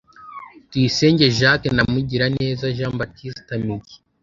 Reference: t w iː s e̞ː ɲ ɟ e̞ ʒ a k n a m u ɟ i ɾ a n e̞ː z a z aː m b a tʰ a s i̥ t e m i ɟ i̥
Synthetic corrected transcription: t w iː s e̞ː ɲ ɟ e̞ ʒ a k n a m u ɟ i ɾ a n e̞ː z a ʒ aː m b a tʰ i s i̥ t a m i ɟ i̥